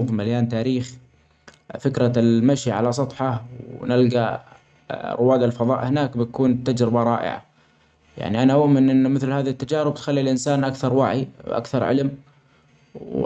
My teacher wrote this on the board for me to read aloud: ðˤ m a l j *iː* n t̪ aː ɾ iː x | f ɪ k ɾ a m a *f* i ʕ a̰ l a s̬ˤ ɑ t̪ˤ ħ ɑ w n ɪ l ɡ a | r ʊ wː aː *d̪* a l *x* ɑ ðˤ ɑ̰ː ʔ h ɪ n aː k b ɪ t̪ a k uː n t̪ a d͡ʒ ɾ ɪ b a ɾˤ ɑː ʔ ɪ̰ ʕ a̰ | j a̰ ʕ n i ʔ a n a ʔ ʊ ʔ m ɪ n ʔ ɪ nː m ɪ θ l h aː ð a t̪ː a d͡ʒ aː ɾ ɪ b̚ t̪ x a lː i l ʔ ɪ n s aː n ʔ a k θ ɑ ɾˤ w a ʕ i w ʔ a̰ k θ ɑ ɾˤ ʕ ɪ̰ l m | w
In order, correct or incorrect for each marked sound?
incorrect, incorrect, correct, incorrect

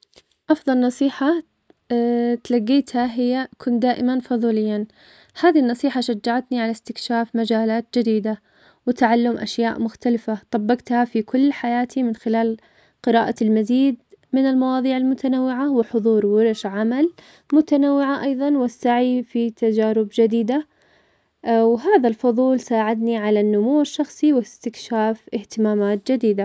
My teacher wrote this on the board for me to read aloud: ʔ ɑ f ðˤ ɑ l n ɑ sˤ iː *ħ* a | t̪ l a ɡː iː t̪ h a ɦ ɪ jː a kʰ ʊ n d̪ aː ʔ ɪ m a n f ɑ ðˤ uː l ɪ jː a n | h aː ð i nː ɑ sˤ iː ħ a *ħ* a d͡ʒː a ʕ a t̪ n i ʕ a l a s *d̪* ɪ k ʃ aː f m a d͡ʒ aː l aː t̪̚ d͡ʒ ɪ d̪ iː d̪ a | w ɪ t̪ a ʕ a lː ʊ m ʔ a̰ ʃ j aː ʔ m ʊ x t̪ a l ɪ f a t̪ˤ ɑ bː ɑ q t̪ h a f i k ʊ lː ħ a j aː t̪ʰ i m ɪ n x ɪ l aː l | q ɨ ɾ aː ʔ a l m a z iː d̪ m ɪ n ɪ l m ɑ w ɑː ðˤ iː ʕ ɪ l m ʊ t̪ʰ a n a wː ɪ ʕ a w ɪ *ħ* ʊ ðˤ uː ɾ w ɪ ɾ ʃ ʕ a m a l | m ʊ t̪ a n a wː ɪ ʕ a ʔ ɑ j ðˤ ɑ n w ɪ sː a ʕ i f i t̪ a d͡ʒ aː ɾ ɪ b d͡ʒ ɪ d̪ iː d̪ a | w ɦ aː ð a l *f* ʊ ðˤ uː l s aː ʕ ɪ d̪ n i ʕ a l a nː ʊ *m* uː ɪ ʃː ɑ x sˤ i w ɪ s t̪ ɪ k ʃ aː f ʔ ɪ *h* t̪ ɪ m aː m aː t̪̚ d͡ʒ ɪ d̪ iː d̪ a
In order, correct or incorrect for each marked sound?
correct, incorrect, incorrect, correct, correct, correct, correct

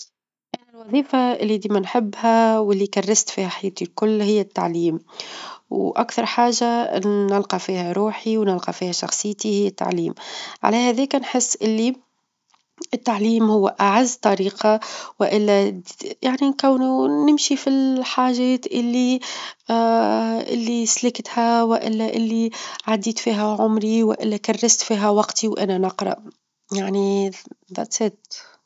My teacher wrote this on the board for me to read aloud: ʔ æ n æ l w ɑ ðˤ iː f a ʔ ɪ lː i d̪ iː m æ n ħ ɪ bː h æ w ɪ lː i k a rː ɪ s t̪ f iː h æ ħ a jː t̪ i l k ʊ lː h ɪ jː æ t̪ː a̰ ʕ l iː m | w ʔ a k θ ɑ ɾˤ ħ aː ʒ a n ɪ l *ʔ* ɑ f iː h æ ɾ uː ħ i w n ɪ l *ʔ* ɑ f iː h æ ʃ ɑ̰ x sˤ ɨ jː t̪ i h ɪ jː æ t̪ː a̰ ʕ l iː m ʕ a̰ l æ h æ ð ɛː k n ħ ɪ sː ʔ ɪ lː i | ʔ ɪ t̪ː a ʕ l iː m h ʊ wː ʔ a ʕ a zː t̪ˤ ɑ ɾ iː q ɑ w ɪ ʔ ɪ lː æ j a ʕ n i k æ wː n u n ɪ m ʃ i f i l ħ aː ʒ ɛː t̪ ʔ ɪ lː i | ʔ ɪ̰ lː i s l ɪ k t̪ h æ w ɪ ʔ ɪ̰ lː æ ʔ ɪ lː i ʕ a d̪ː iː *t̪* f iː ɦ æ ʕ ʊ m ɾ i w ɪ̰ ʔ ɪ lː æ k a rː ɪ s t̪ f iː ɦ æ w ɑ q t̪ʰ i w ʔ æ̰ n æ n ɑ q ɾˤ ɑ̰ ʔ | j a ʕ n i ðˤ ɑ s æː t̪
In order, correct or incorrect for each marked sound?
incorrect, incorrect, correct

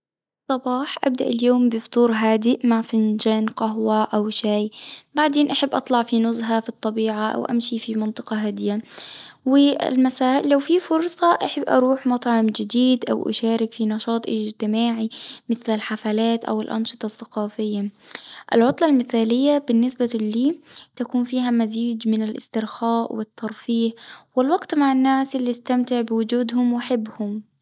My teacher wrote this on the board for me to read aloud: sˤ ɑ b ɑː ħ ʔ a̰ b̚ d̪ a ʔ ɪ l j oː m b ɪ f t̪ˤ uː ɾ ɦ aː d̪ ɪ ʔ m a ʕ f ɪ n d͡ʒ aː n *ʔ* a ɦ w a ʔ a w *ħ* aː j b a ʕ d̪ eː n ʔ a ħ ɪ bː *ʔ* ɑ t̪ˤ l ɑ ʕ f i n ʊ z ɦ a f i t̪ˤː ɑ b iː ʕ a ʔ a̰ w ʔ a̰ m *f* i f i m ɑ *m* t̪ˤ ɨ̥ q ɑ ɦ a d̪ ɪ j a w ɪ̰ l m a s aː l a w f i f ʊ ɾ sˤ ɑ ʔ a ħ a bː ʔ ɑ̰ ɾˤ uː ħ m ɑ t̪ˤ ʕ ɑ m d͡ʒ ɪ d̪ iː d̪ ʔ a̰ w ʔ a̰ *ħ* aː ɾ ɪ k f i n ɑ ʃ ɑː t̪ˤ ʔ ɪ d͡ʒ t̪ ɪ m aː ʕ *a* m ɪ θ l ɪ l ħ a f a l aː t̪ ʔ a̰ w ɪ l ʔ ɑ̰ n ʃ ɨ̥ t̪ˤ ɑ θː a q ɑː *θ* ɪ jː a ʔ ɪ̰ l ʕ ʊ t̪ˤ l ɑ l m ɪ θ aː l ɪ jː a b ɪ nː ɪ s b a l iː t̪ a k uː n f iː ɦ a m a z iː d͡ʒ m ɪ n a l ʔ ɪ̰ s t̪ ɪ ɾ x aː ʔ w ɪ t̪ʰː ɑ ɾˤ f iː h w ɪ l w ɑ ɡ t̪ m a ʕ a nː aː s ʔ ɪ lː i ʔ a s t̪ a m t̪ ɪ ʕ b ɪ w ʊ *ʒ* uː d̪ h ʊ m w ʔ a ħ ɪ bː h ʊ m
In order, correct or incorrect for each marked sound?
incorrect, incorrect, correct, incorrect, incorrect, incorrect, incorrect, incorrect, incorrect

